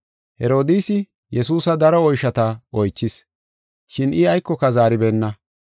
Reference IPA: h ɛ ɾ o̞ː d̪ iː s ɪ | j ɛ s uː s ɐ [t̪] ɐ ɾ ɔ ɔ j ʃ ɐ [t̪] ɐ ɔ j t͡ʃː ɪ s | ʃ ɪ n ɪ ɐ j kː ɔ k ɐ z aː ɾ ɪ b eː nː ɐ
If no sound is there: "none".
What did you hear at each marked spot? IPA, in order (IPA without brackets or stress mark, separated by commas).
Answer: d̪, t̪